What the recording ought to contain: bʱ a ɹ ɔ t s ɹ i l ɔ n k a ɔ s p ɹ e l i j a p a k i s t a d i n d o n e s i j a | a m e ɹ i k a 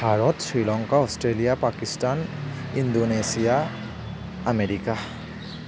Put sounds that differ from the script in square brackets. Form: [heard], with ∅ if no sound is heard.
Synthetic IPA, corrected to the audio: bʱ a ɹ ɔ t s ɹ i l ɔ [ŋ] k a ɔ s [t] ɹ e l i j a p a k i s t a [n] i n d o n e s i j a | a m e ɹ i k a